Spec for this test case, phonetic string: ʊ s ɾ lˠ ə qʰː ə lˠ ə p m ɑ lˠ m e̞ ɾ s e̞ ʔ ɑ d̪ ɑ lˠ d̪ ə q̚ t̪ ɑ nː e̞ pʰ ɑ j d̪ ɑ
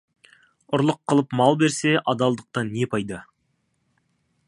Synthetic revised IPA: ʊ ɾ lˠ ə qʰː ə lˠ ə p m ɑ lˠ b e̞ ɾ s e̞ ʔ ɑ d̪ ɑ lˠ d̪ ə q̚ t̪ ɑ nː e̞ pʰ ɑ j d̪ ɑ